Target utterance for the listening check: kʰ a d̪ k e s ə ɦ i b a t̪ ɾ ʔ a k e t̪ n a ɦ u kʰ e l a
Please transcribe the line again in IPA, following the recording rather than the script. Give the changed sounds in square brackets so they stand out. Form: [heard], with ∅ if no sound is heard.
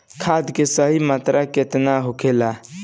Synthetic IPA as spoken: kʰ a d̪ k e s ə ɦ i [m] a t̪ ɾ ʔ a k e t̪ n a ɦ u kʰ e l a

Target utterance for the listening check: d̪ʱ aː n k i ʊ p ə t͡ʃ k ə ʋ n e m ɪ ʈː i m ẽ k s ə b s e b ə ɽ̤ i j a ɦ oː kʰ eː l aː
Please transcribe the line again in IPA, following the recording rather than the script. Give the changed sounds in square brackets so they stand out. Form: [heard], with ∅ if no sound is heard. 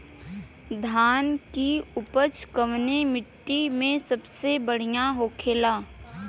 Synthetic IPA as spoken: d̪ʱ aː n k i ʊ p ə t͡ʃ k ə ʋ n e m ɪ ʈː i m ẽ [∅] s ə b s e b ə ɽ̤ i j a ɦ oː kʰ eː l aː

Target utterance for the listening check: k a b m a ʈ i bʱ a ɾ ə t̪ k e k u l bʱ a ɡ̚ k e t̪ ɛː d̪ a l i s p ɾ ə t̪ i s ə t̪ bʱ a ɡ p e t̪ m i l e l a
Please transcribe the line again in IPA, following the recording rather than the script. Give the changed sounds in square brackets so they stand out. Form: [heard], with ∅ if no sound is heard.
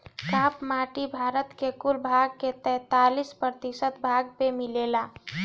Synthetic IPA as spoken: k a [p] m a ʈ i bʱ a ɾ ə t̪ k e k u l bʱ a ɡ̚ k e t̪ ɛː [t̪] a l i s p ɾ ə t̪ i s ə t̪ bʱ a ɡ p e [∅] m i l e l a

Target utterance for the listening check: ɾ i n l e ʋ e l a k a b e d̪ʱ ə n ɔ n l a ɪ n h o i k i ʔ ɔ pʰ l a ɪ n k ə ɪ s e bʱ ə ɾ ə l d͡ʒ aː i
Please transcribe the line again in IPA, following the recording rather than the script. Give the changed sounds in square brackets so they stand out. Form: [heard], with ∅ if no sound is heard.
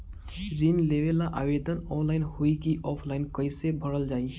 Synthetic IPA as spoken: ɾ i n l e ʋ e l a [ʔ] a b e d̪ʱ ə n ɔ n l a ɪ n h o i k i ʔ ɔ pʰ l a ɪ n k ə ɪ s e bʱ ə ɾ ə l d͡ʒ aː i

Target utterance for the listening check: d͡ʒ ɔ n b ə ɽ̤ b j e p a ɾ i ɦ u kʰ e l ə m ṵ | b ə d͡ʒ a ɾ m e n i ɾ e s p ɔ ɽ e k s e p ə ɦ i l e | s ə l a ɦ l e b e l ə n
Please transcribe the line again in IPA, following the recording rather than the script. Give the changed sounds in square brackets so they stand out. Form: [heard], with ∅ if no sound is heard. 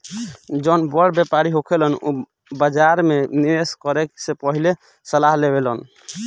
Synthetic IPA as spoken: d͡ʒ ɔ n b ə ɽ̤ b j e p a ɾ i ɦ [o] kʰ e l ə [n] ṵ | b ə d͡ʒ a ɾ m e n i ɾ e s [k] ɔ [ɾ] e k s e p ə ɦ i l e | s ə l a ɦ l e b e l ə n

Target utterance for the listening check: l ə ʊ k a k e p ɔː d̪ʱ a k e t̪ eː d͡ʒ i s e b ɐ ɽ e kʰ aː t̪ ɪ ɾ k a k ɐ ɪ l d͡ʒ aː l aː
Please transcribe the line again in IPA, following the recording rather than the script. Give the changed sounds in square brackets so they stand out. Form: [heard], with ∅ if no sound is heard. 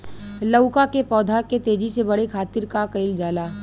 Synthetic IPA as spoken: l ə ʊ k a k e p ɔː d̪ʱ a k e t̪ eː d͡ʒ i s e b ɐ ɽ e kʰ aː t̪ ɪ ɾ k a k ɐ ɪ l d͡ʒ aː l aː

